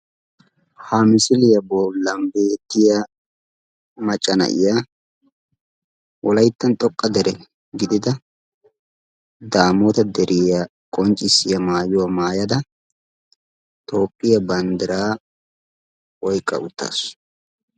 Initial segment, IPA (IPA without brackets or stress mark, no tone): h